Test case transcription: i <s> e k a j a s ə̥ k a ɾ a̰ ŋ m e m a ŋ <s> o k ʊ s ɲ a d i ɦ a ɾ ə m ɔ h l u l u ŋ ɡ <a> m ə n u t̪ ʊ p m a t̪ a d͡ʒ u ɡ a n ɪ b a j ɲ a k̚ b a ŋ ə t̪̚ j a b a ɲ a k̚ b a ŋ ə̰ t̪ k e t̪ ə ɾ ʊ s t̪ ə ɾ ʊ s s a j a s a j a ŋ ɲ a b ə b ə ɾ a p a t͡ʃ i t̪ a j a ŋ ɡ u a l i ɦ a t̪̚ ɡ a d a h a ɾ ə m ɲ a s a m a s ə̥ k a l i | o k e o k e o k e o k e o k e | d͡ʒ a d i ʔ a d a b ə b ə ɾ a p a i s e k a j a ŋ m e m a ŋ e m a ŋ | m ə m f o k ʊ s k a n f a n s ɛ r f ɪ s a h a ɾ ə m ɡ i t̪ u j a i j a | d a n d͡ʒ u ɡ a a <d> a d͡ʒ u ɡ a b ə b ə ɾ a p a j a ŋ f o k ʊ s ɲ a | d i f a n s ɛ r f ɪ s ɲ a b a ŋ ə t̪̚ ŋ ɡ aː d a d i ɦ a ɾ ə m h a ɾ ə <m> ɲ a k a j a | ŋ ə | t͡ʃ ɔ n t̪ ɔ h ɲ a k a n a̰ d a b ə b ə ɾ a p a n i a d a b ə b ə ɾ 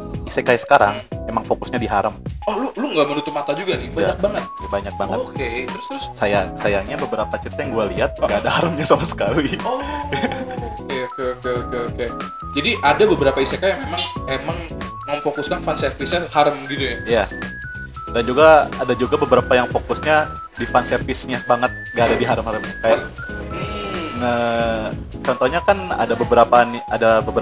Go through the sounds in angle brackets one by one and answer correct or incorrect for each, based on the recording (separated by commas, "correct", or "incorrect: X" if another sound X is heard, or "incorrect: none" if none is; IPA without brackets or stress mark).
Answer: correct, incorrect: f, correct, correct, correct